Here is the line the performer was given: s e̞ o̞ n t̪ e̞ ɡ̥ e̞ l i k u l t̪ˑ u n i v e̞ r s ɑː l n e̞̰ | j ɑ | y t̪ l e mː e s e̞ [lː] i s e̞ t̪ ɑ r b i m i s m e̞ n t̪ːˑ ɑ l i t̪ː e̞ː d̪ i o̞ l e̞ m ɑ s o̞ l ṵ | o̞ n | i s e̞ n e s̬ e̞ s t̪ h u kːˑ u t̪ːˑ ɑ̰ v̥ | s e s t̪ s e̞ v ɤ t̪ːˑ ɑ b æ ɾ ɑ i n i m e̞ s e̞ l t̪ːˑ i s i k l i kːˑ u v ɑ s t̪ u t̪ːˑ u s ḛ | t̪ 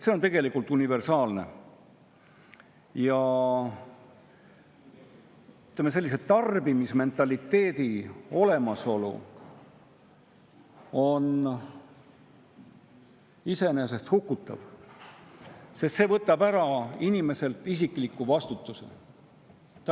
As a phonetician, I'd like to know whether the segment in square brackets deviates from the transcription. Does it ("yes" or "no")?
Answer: no